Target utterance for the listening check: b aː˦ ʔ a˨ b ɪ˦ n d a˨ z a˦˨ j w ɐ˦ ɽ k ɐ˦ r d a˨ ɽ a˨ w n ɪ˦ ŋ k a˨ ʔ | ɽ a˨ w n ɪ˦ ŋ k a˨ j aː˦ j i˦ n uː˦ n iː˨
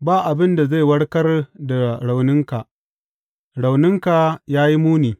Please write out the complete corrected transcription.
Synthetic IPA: b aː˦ ʔ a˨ b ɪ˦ n d a˨ z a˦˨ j w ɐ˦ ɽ k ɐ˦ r d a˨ ɽ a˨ w n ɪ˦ ŋ k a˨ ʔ | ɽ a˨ w n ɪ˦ ŋ k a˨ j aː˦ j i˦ m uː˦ n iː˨

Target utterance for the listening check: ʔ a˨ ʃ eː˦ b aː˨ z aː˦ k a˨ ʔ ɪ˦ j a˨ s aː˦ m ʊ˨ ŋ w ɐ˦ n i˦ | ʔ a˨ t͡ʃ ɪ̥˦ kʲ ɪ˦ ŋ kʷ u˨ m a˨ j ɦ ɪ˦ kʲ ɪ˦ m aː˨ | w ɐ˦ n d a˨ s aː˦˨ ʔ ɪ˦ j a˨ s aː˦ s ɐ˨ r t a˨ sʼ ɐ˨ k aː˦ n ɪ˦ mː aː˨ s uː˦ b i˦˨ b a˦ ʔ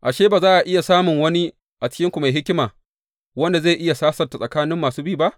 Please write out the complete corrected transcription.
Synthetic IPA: ʔ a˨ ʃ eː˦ b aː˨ z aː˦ ʔ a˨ ʔ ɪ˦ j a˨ s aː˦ m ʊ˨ ŋ w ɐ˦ n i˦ | ʔ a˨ t͡ʃ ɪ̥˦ kʲ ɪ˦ ŋ kʷ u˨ m a˨ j ɦ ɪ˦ kʲ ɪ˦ m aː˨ | w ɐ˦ n d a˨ z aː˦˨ ʔ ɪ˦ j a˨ s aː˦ s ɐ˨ r t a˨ sʼ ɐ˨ k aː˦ n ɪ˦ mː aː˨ s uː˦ b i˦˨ b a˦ ʔ

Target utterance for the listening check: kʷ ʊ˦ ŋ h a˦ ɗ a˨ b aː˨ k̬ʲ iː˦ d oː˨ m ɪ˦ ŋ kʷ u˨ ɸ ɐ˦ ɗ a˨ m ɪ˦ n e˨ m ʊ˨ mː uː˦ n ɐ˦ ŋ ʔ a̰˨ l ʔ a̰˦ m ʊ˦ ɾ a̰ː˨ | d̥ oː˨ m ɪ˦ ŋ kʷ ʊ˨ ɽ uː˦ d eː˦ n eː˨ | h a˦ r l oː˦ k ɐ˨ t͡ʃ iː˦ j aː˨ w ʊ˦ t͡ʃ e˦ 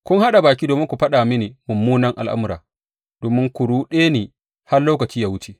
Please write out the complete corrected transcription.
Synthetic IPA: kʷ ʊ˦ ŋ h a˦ ɗ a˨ b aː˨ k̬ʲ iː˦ d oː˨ m ɪ˦ ŋ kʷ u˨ ɸ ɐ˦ ɗ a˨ m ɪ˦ n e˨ m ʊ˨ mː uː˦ n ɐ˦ ŋ ʔ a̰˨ l ʔ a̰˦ m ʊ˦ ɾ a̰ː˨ | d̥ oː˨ m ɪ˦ ŋ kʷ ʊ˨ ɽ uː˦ ɗ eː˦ n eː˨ | h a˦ r l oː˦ k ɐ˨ t͡ʃ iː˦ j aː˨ w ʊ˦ t͡ʃ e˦

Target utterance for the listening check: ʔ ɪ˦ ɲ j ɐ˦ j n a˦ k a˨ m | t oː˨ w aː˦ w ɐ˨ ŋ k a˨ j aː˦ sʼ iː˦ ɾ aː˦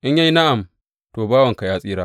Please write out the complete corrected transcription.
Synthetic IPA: ʔ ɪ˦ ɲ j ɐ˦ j n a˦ ʔ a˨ m | t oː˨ b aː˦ w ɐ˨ ŋ k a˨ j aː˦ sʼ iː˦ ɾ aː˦

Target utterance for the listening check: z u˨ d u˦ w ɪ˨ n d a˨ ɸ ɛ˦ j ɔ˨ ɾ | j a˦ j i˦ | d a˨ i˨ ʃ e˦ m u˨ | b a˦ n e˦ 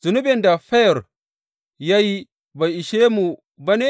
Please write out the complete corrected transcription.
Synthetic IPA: z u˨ n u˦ b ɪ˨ n d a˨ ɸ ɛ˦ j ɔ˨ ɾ | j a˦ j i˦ | b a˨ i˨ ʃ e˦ m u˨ | b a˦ n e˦

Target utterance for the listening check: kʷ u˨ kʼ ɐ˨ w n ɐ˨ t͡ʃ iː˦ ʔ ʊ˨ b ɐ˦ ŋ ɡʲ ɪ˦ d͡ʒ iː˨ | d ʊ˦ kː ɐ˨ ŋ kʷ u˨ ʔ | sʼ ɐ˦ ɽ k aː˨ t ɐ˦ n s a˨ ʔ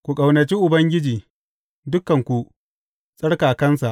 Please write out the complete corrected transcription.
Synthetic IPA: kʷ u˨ kʼ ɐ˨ w n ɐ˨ t͡ʃ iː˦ ʔ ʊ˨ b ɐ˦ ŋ ɡʲ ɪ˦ d͡ʒ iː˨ | d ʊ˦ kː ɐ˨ ŋ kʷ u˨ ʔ | sʼ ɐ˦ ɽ k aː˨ k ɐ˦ n s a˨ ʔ

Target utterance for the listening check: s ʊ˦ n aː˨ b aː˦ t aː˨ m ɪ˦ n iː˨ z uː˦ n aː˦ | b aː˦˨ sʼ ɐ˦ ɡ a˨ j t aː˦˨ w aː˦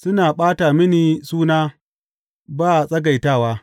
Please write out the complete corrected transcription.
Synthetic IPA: s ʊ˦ n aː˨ ɓ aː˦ t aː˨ m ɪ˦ n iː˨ s uː˦ n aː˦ | b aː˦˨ sʼ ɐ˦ ɡ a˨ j t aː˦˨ w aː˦

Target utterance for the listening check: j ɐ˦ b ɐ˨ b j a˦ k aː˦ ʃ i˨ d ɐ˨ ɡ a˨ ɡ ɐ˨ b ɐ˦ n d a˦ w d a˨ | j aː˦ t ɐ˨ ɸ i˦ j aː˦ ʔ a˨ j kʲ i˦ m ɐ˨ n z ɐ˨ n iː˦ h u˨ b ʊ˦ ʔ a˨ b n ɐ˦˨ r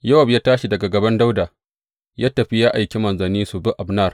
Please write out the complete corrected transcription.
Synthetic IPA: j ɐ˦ w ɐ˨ b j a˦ t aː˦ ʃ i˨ d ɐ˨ ɡ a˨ ɡ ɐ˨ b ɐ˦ n d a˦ w d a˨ | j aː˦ t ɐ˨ ɸ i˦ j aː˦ ʔ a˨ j kʲ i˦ m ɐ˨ n z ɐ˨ n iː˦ s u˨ b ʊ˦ ʔ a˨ b n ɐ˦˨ r

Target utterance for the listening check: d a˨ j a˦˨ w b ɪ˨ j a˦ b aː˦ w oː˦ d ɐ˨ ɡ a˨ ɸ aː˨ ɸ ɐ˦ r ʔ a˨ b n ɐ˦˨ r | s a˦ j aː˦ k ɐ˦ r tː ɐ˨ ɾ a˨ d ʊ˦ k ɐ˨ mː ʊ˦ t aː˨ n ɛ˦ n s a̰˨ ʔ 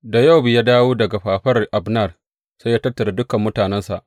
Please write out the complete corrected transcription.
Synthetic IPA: d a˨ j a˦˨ w b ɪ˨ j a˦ d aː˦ w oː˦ d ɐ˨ ɡ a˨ ɸ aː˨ ɸ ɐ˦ r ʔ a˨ b n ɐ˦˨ r | s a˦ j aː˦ t ɐ˦ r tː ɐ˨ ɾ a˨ d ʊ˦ k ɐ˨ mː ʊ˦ t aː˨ n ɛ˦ n s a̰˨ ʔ

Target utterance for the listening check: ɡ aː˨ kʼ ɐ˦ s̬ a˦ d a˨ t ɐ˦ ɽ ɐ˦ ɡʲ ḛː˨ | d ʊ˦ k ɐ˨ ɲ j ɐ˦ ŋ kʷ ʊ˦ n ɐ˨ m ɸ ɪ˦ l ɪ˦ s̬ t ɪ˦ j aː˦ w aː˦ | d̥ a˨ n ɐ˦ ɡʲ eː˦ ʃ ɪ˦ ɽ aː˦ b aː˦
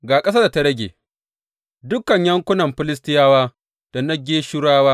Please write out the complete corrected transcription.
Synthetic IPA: ɡ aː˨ kʼ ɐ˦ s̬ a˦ d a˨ t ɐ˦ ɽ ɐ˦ ɡʲ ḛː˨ | d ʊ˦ k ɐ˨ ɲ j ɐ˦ ŋ kʷ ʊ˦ n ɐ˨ m ɸ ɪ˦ l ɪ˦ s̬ t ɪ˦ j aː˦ w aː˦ | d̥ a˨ n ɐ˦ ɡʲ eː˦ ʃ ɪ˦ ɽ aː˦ w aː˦

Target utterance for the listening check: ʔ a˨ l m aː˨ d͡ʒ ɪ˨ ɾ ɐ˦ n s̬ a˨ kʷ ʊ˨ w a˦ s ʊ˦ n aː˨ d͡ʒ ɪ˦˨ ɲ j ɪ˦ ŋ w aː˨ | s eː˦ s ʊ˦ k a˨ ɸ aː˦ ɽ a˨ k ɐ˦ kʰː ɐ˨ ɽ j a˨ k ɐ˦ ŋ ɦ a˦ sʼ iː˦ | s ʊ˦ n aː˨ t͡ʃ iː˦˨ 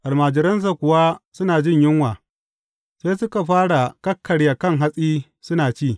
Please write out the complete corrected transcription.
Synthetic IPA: ʔ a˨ l m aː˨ d͡ʒ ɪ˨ ɾ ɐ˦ n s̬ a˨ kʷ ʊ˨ w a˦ s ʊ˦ n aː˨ d͡ʒ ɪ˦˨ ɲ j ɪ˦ ŋ w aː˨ | s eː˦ s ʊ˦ k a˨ ɸ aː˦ ɽ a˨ k ɐ˦ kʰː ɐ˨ ɽ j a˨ k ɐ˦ ŋ ɦ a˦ sʼ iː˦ | s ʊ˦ n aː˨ t͡ʃ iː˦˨

